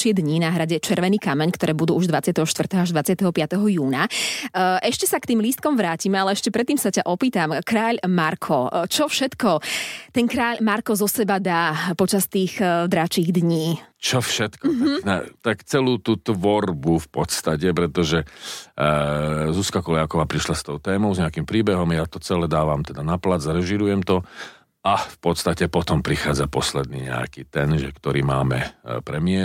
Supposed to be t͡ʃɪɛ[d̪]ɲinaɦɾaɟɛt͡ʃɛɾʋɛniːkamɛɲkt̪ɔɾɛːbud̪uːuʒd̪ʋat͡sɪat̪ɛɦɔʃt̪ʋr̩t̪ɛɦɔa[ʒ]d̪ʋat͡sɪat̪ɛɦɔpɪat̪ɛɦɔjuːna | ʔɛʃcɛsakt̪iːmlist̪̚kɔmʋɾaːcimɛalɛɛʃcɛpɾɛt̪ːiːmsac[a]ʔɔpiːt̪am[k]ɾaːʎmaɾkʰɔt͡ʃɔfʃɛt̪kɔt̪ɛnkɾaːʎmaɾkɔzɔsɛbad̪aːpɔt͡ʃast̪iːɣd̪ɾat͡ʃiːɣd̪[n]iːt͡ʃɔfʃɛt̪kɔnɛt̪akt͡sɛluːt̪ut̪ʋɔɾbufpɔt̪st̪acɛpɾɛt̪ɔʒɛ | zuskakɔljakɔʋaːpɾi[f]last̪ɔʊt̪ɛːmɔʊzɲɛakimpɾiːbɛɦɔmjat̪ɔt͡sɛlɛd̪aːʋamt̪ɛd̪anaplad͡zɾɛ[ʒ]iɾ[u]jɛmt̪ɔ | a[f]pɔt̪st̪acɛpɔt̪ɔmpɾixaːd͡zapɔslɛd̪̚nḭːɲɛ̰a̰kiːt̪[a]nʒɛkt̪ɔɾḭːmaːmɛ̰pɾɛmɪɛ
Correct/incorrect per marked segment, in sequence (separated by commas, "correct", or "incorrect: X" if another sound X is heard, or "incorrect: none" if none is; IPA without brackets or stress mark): correct, correct, correct, correct, incorrect: ɲ, incorrect: ʃ, correct, correct, correct, incorrect: ɛ